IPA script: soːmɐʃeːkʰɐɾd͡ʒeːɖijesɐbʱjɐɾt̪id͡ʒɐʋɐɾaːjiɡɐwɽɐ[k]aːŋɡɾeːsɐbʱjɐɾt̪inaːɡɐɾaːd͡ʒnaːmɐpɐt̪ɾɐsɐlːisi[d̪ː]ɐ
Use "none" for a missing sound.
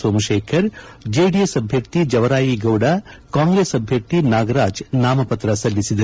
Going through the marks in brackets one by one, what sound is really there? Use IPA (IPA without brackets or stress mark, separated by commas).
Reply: k, d̪